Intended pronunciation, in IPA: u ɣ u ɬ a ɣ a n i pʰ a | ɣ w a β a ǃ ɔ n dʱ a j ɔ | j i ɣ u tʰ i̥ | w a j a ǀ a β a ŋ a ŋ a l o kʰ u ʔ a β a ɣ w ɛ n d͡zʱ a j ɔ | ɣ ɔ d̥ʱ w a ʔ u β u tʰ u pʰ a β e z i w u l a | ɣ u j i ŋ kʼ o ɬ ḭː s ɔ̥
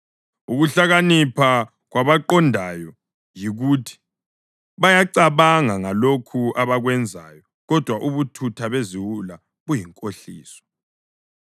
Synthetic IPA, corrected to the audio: u ɣ u ɬ a ɣ a n i pʰ a | ɣ w a β a ǃ ɔ n dʱ a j ɔ | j i ɣ u tʰ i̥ | β a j a ǀ a β a ŋ a ŋ a l o kʰ u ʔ a β a ɣ w ɛ n d͡zʱ a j ɔ | ɣ ɔ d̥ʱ w a ʔ u β u tʰ u tʰ a β e z i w u l a | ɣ u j i ŋ kʼ o ɬ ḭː s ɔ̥